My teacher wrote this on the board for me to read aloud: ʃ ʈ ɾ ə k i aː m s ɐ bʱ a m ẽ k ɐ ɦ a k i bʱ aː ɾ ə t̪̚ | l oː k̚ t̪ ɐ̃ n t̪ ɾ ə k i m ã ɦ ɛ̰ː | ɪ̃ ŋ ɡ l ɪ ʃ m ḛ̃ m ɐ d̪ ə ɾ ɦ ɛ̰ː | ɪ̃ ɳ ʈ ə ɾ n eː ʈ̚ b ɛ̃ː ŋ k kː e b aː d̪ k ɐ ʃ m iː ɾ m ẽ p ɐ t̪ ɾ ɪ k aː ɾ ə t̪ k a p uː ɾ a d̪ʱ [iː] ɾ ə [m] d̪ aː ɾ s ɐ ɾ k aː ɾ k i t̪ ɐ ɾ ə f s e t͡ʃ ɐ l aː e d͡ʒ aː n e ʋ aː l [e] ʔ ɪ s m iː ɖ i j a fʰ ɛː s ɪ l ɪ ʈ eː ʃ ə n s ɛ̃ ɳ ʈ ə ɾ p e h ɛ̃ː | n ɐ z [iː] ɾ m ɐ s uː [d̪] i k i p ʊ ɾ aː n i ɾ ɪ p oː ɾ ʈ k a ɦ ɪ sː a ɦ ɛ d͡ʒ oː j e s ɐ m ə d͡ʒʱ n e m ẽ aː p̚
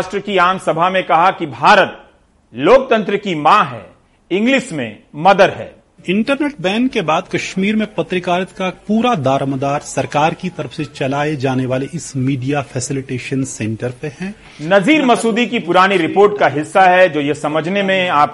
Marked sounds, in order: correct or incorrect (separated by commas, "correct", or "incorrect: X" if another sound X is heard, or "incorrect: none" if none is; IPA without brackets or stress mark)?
incorrect: aː, correct, correct, correct, correct